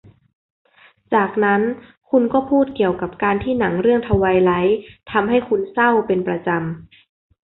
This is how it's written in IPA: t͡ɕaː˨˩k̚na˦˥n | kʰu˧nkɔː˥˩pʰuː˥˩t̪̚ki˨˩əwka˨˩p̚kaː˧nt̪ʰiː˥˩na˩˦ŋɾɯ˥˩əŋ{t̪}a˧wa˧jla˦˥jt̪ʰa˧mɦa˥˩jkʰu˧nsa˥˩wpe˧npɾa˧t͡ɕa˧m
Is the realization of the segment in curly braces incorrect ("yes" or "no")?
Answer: yes